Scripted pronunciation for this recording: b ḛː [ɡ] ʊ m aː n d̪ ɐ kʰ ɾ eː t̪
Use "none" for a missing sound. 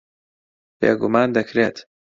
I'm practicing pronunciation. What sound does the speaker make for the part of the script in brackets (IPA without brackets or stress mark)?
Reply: ɡ